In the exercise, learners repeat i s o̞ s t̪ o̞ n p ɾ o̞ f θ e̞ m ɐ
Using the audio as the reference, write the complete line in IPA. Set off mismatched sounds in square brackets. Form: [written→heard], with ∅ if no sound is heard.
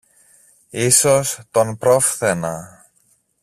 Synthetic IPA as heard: i s o̞ s t̪ o̞ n p ɾ o̞ f θ e̞ [m→n] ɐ